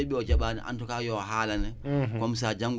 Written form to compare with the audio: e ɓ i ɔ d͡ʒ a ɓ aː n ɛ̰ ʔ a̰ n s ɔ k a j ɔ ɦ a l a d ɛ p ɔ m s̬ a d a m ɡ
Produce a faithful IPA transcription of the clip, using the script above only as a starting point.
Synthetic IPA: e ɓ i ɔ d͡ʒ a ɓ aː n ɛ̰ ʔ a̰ n t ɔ k a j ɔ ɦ a l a n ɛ k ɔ m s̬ a d͡ʒ a ŋ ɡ

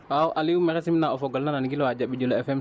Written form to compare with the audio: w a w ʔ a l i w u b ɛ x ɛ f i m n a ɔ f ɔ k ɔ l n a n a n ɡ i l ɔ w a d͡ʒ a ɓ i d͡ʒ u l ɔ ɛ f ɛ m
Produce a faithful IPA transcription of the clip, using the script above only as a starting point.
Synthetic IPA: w a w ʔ a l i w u m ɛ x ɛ s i m n a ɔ f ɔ ɡ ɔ l n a n a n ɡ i l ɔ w a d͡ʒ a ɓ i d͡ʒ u l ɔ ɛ f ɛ m

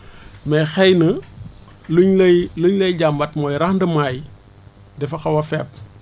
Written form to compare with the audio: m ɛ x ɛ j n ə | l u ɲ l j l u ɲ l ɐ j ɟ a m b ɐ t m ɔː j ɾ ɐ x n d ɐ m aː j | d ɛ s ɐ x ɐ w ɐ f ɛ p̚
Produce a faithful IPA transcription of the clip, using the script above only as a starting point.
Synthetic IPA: m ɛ x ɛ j n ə | l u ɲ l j l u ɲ l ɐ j ɟ a m b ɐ t m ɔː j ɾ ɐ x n d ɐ m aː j | d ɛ f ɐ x ɐ w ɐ f ɛ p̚

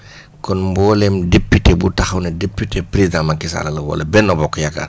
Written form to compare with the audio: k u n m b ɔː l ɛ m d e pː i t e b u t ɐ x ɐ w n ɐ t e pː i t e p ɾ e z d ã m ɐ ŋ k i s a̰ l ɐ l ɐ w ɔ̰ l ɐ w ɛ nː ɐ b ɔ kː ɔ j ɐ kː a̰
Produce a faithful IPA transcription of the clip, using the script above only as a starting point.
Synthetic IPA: k ɔ n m b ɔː l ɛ m d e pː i t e b u t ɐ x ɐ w n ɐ d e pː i t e p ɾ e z d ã m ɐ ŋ k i s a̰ l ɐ l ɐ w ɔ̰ l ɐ b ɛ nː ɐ b ɔ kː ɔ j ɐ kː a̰

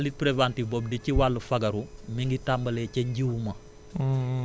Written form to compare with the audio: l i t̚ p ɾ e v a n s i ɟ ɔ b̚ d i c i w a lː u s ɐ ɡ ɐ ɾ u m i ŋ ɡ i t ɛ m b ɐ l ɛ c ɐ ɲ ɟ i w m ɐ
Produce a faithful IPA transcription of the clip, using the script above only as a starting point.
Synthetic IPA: l i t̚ p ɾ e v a n t i b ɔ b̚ d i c i w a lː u f ɐ ɡ ɐ ɾ u m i ŋ ɡ i t a m b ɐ l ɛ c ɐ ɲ ɟ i w m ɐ

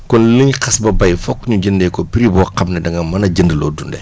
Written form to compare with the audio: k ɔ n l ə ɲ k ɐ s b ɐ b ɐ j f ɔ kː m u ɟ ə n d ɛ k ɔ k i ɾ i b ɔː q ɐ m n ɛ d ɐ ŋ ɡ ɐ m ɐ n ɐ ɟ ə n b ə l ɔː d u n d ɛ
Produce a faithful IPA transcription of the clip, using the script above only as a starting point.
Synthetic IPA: k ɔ n l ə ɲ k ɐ s b ɐ b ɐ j f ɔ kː ɲ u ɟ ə n d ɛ k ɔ p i ɾ i b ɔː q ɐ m n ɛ d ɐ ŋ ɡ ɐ m ɐ n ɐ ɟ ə n d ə l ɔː d u n d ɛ

